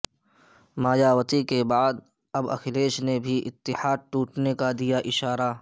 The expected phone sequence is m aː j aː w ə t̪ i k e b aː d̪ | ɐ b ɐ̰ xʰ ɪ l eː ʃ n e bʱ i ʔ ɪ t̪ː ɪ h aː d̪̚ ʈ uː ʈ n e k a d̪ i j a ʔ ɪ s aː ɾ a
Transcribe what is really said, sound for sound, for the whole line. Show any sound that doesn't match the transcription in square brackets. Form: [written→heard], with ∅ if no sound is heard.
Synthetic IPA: m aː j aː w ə t̪ i k e b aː d̪ | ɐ b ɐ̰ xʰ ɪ l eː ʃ n e bʱ i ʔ ɪ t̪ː ɪ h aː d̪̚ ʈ uː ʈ n e k a d̪ i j a ʔ ɪ [s→ʃ] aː ɾ a